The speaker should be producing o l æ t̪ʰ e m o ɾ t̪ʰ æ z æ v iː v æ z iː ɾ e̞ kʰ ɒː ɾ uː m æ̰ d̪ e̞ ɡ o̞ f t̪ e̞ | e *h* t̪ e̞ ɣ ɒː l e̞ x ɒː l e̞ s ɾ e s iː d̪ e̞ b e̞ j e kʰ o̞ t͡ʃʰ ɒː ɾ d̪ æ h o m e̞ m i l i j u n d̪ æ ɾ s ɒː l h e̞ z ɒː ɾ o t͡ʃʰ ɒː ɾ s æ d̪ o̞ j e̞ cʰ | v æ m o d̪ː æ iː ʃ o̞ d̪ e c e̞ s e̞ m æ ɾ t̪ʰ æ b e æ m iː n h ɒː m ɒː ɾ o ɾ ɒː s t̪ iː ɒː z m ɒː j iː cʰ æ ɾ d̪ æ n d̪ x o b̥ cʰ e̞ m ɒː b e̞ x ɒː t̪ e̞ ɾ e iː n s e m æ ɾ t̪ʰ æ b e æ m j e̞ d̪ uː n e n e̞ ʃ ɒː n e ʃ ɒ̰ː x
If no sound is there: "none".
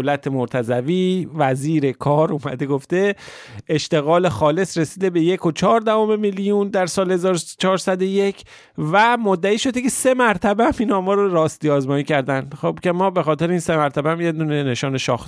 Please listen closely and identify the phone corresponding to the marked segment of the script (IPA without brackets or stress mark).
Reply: ʃ